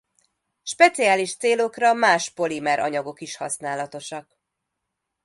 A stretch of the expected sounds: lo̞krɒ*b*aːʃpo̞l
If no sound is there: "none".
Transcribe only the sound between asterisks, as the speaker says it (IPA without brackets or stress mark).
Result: m